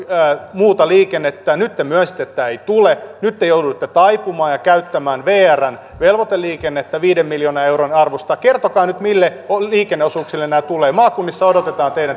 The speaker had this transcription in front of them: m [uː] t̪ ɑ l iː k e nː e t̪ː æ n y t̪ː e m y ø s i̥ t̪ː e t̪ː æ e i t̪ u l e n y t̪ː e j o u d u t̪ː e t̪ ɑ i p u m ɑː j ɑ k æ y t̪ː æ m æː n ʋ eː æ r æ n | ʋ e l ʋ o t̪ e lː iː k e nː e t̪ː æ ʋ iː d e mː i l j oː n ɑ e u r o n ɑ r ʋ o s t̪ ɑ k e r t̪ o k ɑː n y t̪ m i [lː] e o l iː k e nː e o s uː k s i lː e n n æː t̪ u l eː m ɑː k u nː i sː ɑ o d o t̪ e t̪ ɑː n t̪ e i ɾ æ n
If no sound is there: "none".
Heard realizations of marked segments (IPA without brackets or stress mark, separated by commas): uː, lː